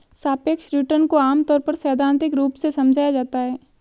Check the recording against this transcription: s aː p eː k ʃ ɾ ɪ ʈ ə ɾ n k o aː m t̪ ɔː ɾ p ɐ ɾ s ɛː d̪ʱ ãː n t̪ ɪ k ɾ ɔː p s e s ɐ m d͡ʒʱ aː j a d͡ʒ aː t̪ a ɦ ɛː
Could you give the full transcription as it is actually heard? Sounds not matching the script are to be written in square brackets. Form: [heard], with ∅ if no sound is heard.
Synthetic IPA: s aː p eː k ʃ ɾ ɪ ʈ ə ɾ n k o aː m t̪ ɔː ɾ p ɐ ɾ s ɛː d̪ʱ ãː n t̪ ɪ k ɾ [uː] p s e s ɐ m d͡ʒʱ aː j a d͡ʒ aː t̪ a ɦ ɛː